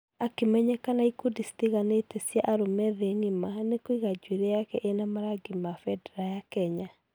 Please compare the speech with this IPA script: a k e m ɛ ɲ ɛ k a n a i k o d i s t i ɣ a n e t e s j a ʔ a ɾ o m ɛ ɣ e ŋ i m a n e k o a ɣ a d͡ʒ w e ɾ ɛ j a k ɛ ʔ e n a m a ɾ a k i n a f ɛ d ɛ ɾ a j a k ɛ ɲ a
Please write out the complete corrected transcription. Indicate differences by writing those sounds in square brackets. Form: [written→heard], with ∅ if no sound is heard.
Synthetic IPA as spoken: a k e m ɛ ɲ ɛ k a n a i k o d i s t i ɣ a n e t e s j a ʔ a ɾ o m ɛ [ɣ→ð] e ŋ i m a n e k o [a→i] ɣ a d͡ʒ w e ɾ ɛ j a k ɛ ʔ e n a m a ɾ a [k→ɡ] i [n→m] a f ɛ d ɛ ɾ a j a k ɛ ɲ a